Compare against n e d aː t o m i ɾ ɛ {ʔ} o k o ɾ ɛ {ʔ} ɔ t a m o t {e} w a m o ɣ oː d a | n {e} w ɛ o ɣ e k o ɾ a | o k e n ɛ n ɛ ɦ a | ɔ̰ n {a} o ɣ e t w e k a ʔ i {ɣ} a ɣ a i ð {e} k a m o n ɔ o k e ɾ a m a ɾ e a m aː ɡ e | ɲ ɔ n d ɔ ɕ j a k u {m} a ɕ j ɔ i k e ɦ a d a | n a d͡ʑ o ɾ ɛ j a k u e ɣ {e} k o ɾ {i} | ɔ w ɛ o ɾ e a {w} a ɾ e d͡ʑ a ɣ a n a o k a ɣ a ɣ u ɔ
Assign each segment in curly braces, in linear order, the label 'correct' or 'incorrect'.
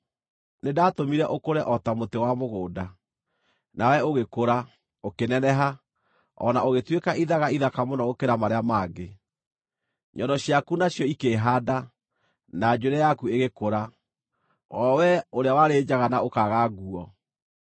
correct, correct, correct, incorrect: a, correct, incorrect: ð, incorrect: a, incorrect: n, correct, incorrect: a, correct

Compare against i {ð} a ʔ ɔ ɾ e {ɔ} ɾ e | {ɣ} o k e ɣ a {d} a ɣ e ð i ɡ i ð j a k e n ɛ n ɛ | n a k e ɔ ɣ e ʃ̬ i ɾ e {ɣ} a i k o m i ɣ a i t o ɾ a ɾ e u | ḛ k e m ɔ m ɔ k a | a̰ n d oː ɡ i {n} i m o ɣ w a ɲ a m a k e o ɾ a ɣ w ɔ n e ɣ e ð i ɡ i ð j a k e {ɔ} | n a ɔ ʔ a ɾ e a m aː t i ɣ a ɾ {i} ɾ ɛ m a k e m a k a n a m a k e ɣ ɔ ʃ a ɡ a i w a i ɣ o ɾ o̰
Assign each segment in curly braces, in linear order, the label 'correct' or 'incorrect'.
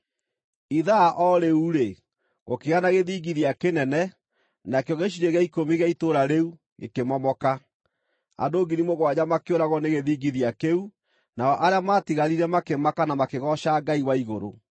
correct, incorrect: u, correct, incorrect: n, correct, correct, incorrect: u, correct

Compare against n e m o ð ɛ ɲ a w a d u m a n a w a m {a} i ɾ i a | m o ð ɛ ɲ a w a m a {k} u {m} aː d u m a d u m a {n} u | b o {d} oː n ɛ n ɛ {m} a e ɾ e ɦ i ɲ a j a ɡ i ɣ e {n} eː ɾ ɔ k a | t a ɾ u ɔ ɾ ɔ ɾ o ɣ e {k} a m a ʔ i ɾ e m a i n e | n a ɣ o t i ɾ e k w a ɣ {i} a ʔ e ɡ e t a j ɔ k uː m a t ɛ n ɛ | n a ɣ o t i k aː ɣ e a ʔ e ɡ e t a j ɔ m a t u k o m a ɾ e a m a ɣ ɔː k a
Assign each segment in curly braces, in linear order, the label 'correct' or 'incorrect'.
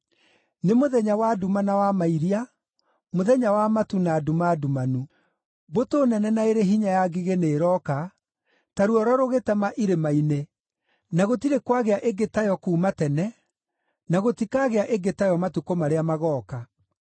correct, incorrect: t, incorrect: n, correct, incorrect: t, incorrect: n, correct, incorrect: t, incorrect: e

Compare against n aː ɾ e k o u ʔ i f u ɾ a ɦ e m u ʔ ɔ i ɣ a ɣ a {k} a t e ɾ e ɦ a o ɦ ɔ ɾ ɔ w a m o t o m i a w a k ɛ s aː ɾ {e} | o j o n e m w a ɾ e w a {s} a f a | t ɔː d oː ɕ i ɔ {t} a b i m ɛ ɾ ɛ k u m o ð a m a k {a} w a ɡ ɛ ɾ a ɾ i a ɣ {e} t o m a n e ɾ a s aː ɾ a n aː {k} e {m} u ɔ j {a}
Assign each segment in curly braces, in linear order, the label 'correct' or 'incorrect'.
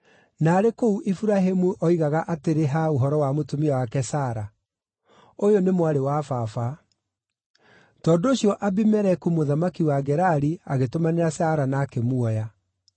incorrect: ʔ, incorrect: a, incorrect: f, incorrect: ʔ, incorrect: i, correct, correct, correct, correct

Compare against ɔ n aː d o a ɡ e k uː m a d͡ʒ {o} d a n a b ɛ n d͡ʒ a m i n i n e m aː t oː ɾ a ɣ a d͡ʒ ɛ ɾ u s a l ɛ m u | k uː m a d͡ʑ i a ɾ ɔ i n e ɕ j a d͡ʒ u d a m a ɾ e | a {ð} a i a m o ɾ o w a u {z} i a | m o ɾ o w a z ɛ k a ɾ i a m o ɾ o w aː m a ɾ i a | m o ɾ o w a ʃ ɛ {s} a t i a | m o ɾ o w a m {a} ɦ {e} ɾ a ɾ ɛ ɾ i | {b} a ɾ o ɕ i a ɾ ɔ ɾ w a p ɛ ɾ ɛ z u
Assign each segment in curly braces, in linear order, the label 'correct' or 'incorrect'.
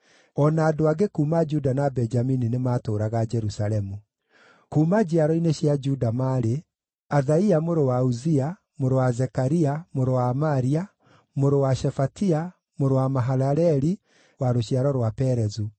incorrect: u, correct, correct, incorrect: f, correct, incorrect: a, incorrect: w

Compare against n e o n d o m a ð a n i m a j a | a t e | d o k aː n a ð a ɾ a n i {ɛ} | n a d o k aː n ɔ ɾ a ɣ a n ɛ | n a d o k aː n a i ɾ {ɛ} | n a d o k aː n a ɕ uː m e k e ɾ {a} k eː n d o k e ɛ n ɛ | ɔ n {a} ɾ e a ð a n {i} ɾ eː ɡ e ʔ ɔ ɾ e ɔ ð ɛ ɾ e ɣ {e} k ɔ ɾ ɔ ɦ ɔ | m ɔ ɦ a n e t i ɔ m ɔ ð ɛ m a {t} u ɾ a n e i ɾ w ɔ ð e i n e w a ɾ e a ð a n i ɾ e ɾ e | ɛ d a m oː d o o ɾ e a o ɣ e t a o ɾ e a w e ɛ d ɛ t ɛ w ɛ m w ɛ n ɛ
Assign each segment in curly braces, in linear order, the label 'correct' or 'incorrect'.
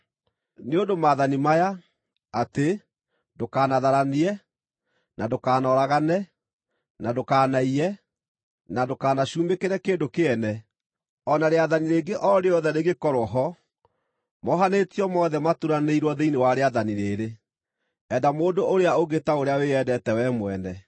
correct, correct, incorrect: ɛ, correct, correct, correct, correct

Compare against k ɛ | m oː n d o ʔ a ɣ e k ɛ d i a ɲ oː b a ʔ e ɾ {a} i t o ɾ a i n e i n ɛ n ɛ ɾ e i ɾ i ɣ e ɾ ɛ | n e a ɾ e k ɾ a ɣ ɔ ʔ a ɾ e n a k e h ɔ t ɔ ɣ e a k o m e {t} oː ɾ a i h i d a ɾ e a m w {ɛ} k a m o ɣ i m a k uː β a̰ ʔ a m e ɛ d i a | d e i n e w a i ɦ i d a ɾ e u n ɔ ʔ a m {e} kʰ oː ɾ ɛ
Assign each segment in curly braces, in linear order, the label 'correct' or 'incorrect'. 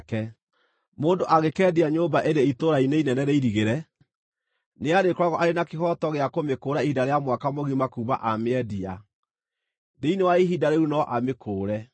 incorrect: e, incorrect: k, incorrect: a, correct

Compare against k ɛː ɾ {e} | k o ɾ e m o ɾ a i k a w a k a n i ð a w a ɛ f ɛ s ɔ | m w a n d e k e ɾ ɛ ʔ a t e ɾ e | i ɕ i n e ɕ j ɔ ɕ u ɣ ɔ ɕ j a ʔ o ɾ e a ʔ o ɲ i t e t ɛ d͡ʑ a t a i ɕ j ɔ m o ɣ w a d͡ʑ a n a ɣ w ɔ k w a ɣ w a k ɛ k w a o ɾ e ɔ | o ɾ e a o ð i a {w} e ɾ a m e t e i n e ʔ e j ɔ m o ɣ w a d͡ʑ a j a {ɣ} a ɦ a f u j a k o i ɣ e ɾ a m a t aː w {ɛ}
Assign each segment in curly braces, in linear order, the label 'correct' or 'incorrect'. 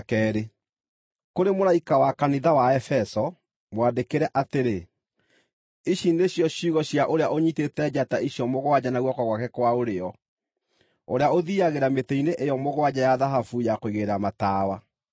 correct, incorrect: ɣ, incorrect: ð, incorrect: a

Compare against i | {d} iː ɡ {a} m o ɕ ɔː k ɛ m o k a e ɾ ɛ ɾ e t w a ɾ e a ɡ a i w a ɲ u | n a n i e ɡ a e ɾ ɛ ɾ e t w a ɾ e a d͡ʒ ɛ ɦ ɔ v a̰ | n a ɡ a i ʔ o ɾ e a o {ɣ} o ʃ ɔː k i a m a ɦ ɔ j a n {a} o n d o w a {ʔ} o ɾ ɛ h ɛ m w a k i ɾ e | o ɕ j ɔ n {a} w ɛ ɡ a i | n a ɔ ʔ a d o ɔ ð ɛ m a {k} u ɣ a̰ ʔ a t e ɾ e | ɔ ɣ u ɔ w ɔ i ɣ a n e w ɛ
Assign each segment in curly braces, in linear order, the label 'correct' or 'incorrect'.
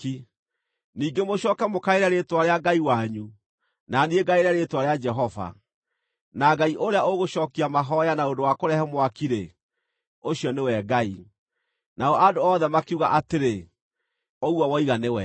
incorrect: n, incorrect: e, correct, correct, incorrect: k, incorrect: e, correct

